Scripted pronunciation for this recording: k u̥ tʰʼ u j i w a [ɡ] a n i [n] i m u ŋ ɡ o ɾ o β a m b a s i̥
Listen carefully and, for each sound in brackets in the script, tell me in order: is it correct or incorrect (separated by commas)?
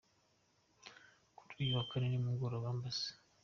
incorrect, correct